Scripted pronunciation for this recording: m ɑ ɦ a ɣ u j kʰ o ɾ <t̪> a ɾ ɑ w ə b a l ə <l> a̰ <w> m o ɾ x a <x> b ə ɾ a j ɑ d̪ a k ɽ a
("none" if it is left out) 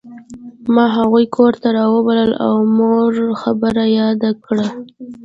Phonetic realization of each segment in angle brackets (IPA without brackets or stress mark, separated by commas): t̪, l, w, none